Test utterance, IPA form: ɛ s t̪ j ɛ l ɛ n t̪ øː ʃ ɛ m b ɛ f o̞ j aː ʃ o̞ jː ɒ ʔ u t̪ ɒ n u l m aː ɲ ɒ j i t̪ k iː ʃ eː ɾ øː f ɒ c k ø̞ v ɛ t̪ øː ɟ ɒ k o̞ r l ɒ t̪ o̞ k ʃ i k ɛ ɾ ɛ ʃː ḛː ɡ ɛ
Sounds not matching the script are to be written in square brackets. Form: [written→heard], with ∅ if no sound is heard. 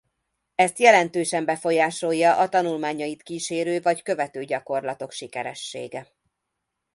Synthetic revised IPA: ɛ s t̪ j ɛ l ɛ n t̪ øː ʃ ɛ m b ɛ f o̞ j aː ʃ o̞ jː ɒ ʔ [u→ɒ] t̪ ɒ n u l m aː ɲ ɒ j i t̪ k iː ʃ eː ɾ øː [f→v] ɒ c k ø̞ v ɛ t̪ øː ɟ ɒ k o̞ r l ɒ t̪ o̞ k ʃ i k ɛ ɾ ɛ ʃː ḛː ɡ ɛ